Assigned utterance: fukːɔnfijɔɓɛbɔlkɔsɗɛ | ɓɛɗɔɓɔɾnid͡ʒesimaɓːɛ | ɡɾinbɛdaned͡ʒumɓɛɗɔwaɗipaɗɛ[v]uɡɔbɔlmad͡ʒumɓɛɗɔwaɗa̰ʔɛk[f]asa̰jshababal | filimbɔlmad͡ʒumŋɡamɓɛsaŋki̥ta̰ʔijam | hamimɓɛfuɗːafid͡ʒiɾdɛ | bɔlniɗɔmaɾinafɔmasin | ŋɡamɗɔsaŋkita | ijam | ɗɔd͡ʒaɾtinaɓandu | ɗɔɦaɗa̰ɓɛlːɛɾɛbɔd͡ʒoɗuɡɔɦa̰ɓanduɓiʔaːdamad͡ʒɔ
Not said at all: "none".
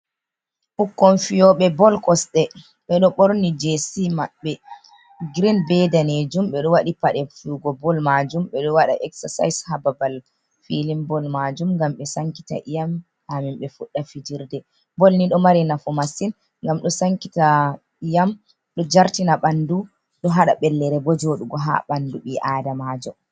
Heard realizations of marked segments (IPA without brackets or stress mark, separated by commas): f, s